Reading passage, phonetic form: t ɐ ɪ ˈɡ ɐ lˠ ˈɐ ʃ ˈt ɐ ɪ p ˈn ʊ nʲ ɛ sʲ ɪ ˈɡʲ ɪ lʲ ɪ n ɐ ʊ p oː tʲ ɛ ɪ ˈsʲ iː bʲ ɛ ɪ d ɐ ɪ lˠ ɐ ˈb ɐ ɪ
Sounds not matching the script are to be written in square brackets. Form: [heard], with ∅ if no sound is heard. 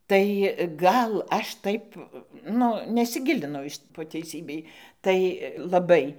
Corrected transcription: t ɐ ɪ ˈɡ ɐ lˠ ˈɐ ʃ ˈt ɐ ɪ p ˈn ʊ nʲ ɛ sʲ ɪ ˈɡʲ ɪ lʲ ɪ n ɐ ʊ p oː tʲ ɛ ɪ ˈsʲ iː bʲ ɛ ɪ [t] ɐ ɪ lˠ ɐ ˈb ɐ ɪ

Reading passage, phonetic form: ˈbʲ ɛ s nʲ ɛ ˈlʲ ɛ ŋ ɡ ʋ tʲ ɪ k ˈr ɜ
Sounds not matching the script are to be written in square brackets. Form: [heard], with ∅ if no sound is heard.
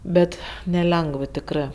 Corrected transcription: ˈbʲ ɛ [t] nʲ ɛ ˈlʲ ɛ ŋ ɡ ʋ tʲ ɪ k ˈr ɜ

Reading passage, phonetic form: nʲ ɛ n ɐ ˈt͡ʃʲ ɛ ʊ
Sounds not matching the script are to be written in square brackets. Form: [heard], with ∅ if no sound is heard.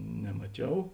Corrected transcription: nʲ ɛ [m] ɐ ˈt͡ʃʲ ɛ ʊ

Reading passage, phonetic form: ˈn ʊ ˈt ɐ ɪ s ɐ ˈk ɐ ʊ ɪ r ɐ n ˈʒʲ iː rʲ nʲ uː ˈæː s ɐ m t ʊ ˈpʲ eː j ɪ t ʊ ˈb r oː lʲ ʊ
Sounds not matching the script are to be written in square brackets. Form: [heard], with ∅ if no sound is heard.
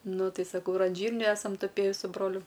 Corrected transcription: ˈn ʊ ˈt ɐ ɪ s ɐ ˈk ɐ ʊ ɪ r ɐ n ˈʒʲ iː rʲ nʲ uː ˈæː s ɐ m t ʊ ˈpʲ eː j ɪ [s] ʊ ˈb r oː lʲ ʊ

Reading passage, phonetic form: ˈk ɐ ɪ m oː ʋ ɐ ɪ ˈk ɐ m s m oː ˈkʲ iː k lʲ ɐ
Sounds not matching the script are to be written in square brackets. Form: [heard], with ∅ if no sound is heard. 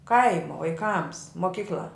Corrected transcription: ˈk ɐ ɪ m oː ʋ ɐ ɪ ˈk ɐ m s m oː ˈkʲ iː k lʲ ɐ

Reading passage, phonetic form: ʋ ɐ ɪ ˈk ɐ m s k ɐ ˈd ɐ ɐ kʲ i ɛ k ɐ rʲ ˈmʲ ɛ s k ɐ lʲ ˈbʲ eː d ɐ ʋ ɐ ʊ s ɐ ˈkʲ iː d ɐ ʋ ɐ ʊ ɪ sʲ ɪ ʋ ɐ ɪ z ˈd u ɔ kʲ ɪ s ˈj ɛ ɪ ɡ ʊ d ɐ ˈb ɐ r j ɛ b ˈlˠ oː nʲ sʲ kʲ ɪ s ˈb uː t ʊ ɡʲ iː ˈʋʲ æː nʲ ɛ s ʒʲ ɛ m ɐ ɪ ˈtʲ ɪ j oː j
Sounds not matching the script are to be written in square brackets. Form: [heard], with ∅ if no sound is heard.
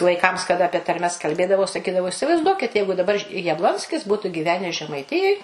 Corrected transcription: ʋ ɐ ɪ ˈk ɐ m s k ɐ ˈd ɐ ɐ [pʲ] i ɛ [t] ɐ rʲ ˈmʲ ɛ s k ɐ lʲ ˈbʲ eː d ɐ ʋ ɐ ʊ s ɐ ˈkʲ iː d ɐ ʋ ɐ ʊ ɪ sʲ ɪ ʋ ɐ ɪ z ˈd u ɔ kʲ ɪ [t] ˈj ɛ ɪ ɡ ʊ d ɐ ˈb ɐ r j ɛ b ˈlˠ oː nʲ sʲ kʲ ɪ s ˈb uː t ʊ ɡʲ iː ˈʋʲ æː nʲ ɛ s ʒʲ ɛ m ɐ ɪ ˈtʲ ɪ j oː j

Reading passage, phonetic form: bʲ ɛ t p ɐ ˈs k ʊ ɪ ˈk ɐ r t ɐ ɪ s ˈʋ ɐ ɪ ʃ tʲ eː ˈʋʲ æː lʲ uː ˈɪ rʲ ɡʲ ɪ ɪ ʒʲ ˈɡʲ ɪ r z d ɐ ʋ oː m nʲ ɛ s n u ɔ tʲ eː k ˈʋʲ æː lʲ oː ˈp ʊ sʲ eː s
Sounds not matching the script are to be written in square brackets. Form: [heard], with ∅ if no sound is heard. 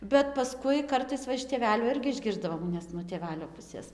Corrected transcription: bʲ ɛ t p ɐ ˈs k ʊ ɪ ˈk ɐ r t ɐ ɪ s ˈʋ ɐ ɪ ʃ tʲ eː ˈʋʲ æː lʲ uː ˈɪ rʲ ɡʲ ɪ ɪ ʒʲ ˈɡʲ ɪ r z d ɐ ʋ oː m nʲ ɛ s n u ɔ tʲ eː [∅] ˈʋʲ æː lʲ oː ˈp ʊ sʲ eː s

